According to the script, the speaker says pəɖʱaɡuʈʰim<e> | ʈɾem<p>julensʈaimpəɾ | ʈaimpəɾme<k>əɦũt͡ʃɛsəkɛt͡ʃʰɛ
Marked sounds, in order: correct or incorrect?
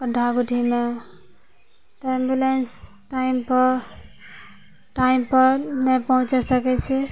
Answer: correct, incorrect, incorrect

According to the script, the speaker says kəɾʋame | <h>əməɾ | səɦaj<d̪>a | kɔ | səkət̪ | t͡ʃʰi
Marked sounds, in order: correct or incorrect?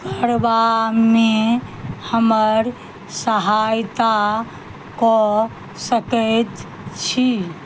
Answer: correct, incorrect

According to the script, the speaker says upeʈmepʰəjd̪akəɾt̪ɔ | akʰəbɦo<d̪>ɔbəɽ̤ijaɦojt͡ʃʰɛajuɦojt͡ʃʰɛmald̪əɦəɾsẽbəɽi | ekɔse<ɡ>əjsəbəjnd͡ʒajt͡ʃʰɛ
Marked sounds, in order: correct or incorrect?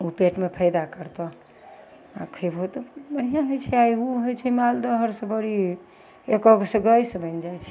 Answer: incorrect, correct

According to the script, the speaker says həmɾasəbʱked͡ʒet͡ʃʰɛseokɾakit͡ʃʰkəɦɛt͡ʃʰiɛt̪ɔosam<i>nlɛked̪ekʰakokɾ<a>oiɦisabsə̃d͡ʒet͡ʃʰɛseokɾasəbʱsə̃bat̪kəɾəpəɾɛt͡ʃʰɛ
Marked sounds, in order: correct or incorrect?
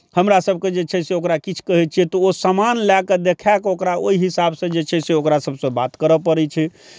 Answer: incorrect, correct

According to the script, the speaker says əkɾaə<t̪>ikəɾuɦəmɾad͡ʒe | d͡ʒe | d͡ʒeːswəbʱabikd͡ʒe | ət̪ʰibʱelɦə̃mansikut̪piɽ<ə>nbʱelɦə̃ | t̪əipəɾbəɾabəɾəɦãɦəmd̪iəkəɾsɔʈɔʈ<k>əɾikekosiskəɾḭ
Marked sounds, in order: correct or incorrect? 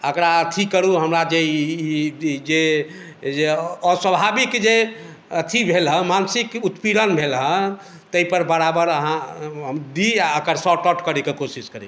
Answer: incorrect, correct, correct

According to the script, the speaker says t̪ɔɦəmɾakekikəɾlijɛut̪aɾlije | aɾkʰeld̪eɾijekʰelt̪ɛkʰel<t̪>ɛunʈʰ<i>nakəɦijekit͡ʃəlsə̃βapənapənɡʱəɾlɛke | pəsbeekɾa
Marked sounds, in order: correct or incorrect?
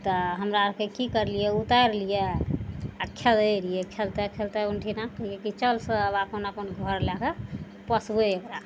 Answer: correct, correct

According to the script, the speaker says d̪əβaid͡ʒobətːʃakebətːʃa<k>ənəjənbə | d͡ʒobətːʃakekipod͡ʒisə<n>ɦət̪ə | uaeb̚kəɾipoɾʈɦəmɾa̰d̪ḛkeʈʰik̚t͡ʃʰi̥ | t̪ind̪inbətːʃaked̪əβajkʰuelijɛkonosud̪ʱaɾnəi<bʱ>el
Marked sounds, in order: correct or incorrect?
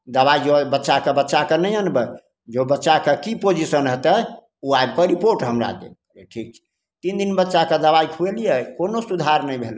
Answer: correct, correct, correct

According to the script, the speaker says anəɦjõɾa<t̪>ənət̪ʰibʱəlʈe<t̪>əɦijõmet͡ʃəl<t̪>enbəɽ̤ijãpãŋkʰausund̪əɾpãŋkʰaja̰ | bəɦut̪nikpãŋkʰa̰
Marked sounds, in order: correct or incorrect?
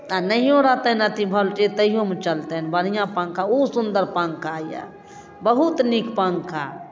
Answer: correct, correct, correct

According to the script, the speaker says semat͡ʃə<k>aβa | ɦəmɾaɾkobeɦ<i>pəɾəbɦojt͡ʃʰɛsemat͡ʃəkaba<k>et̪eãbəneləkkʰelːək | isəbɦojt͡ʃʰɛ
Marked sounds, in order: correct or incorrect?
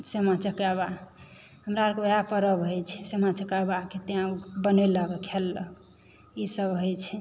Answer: correct, incorrect, correct

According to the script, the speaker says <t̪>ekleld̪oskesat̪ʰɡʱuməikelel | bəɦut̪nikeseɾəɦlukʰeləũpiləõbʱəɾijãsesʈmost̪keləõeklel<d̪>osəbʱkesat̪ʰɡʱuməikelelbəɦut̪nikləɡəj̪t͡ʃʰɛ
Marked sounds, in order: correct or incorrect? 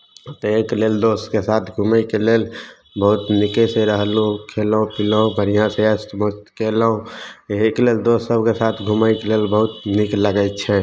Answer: correct, correct

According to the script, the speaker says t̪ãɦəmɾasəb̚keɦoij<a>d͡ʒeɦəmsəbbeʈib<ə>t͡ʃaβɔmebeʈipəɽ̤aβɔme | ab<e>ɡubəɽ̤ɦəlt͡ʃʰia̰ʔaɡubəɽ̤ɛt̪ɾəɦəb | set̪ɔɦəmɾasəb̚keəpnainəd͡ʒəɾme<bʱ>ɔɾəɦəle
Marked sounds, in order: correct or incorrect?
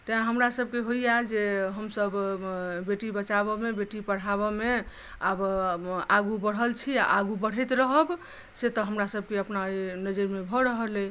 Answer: correct, correct, incorrect, correct

